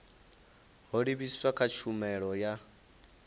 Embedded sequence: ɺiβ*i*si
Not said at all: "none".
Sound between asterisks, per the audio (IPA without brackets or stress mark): i